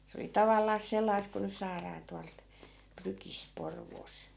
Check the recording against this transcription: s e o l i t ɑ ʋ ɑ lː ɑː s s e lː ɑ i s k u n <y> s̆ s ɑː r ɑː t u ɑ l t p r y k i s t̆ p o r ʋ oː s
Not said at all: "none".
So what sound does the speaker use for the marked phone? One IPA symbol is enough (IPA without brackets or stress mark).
y